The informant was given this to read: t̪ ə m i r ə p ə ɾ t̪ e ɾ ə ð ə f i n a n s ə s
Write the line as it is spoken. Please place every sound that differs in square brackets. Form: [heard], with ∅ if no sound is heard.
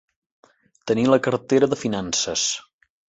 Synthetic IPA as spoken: t̪ ə [n] i [l] ə [k] ə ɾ t̪ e ɾ ə ð ə f i n a n s ə s